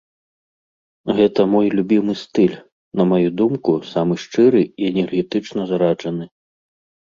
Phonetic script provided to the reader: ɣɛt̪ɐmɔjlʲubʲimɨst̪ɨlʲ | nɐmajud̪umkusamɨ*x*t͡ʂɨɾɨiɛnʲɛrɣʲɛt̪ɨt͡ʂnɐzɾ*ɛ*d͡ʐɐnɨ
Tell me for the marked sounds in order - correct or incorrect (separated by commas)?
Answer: incorrect, incorrect